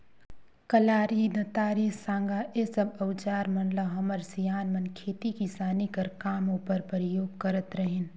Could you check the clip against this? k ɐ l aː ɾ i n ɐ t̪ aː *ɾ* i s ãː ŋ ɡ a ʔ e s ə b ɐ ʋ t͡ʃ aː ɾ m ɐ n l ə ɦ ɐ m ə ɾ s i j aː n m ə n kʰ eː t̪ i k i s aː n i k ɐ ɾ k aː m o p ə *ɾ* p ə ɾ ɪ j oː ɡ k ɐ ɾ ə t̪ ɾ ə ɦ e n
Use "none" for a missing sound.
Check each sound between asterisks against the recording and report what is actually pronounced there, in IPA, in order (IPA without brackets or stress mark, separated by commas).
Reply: ɾ, ɾ